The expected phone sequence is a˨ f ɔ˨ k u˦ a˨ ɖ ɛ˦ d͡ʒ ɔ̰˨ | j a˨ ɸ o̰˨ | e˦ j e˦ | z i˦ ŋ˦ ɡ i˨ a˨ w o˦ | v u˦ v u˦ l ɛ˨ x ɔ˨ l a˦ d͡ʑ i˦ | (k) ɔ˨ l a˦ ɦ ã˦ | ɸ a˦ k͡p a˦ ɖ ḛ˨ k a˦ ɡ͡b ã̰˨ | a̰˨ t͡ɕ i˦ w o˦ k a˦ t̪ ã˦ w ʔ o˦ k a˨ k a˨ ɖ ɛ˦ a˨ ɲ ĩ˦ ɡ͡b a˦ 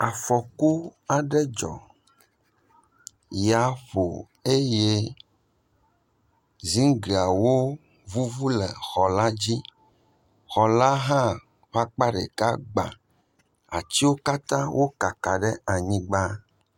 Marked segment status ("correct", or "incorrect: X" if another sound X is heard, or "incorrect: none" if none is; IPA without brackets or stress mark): incorrect: x